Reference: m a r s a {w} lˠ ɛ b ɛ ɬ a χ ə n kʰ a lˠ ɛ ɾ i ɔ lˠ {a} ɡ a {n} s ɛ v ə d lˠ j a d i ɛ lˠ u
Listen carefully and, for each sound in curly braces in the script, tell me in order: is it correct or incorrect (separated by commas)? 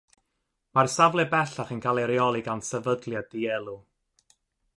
incorrect, incorrect, correct